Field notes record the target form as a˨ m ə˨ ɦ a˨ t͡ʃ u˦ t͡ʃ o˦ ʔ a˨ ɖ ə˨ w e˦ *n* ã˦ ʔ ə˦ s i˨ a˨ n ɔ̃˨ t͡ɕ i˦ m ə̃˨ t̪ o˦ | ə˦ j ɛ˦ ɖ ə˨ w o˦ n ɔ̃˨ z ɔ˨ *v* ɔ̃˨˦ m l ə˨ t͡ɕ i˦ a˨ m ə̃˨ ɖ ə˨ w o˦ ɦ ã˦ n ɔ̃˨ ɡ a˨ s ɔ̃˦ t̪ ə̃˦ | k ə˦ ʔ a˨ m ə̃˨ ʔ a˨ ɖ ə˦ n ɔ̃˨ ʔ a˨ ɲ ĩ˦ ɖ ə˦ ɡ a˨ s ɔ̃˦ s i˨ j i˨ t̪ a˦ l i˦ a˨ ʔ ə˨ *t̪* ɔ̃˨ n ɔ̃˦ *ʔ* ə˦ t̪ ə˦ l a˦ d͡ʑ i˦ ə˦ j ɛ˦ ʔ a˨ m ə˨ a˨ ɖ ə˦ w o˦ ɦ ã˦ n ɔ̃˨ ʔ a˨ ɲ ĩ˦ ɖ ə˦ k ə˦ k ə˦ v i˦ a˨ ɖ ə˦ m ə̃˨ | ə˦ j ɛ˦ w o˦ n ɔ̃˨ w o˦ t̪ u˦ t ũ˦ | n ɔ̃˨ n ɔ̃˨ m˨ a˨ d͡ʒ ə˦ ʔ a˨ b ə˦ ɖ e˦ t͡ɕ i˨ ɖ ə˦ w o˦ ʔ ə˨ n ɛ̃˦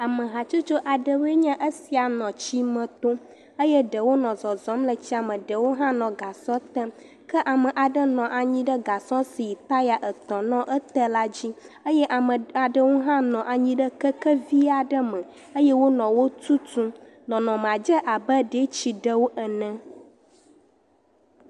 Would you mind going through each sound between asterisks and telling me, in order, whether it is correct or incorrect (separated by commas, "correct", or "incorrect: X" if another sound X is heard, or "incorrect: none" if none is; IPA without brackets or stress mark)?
incorrect: ɲ, incorrect: z, correct, correct